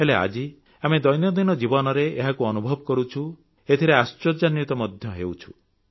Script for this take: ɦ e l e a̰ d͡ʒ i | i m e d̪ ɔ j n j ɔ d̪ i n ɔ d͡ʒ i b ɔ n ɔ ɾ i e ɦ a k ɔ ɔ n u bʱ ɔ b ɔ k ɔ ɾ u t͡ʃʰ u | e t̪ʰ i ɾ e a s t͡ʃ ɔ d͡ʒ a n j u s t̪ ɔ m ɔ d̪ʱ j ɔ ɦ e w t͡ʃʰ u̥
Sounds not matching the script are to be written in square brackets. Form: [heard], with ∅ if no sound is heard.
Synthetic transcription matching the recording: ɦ e l e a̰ d͡ʒ i | [a] m e d̪ ɔ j n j ɔ d̪ i n ɔ d͡ʒ i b ɔ n ɔ ɾ [e] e ɦ a k [u] ɔ n u bʱ ɔ b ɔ k ɔ ɾ u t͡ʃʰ u | e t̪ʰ i ɾ e a s t͡ʃ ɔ d͡ʒ a n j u [∅] t̪ ɔ m ɔ d̪ʱ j ɔ ɦ e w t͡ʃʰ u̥